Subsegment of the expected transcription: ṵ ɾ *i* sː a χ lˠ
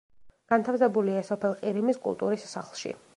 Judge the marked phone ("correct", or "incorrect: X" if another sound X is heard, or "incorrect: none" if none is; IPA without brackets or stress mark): correct